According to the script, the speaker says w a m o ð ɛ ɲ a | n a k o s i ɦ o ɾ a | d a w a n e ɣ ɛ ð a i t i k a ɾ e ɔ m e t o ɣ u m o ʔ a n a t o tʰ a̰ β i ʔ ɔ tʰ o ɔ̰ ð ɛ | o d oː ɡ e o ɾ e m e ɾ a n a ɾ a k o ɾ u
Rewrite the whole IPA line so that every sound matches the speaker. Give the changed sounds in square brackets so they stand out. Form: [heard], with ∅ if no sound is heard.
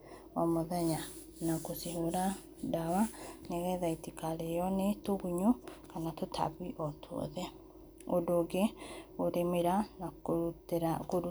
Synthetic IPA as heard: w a m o ð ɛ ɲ a | n a k o s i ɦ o ɾ a | d a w a n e ɣ ɛ ð a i t i k a ɾ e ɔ [n] e t o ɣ u [ɲ] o [k] a n a t o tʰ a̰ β i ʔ ɔ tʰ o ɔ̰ ð ɛ | o d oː ɡ e o ɾ e m e ɾ a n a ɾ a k o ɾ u